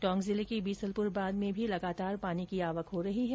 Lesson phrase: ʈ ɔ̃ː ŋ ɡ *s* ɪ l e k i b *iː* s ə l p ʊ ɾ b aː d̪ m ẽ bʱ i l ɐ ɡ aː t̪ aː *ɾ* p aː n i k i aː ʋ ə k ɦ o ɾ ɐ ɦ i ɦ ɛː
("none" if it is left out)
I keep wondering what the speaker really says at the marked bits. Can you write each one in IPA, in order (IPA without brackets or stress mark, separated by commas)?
z, iː, ɾ